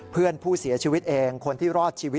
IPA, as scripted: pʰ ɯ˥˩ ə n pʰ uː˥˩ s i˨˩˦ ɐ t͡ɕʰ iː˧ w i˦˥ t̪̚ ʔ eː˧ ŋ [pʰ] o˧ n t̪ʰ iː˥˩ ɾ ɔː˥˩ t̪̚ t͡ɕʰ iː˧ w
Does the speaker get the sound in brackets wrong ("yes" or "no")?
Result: yes